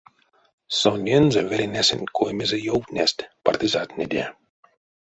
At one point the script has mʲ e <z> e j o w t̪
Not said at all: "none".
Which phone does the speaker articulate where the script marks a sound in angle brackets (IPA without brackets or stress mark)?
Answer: z